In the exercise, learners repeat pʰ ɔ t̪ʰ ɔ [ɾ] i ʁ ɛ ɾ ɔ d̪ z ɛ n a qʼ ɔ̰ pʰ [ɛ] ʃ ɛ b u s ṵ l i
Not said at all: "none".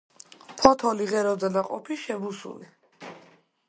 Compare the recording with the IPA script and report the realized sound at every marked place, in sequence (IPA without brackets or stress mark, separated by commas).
l, i